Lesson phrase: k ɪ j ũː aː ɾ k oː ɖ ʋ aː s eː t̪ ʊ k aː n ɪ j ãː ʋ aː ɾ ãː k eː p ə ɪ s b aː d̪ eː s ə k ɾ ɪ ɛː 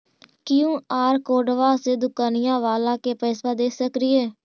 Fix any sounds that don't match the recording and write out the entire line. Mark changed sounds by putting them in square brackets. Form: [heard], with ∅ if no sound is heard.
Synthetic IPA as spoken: k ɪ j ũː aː ɾ k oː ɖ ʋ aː s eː [d̪] ʊ k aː n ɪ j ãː ʋ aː [l] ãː k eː p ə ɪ s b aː d̪ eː s ə k ɾ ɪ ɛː